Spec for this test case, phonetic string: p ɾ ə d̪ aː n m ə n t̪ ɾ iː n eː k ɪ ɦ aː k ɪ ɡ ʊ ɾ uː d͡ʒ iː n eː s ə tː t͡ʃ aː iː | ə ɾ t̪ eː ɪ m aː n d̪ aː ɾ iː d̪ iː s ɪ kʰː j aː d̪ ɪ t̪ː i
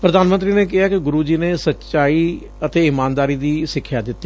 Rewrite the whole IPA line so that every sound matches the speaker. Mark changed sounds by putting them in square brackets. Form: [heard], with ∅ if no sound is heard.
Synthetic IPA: p ɾ ə d̪ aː n m ə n t̪ ɾ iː n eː k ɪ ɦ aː k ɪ ɡ ʊ ɾ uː d͡ʒ iː n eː s ə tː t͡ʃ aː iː | ə [∅] t̪ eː ɪ m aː n d̪ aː ɾ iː d̪ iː s ɪ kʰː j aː d̪ ɪ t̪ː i